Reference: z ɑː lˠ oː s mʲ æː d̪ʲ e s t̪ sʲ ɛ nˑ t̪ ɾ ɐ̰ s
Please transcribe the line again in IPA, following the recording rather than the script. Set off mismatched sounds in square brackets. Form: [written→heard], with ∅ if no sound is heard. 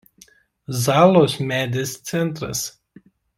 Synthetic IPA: z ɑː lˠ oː s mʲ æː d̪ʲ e s t̪ sʲ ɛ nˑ t̪ ɾ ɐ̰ s